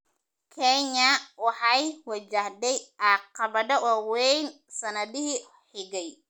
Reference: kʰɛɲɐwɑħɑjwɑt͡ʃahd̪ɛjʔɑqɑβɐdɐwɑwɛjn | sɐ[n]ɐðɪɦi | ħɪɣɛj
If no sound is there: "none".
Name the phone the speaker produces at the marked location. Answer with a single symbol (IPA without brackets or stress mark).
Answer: n